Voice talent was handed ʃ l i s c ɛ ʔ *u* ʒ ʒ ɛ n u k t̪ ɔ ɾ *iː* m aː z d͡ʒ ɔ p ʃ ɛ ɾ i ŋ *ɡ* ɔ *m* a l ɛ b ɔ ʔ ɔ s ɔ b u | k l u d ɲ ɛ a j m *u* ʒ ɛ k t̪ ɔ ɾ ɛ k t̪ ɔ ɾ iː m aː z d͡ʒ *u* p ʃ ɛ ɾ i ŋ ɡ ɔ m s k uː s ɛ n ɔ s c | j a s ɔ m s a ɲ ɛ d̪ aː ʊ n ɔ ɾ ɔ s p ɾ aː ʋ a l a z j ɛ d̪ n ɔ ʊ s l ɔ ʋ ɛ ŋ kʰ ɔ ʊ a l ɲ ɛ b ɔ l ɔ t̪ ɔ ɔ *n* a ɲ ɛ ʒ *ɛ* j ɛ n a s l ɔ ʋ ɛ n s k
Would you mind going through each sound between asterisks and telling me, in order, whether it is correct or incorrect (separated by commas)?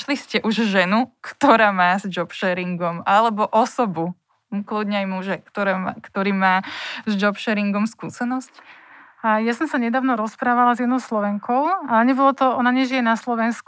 correct, incorrect, correct, correct, correct, incorrect, correct, incorrect